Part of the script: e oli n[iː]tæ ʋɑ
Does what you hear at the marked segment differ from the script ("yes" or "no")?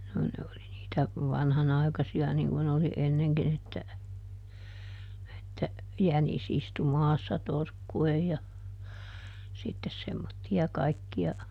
no